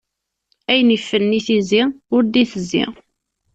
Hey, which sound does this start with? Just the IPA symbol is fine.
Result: æ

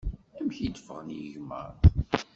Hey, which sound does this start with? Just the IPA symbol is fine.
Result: æ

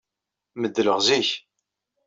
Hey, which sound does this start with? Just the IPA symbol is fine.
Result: m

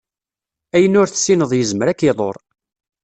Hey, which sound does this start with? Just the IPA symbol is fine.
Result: æ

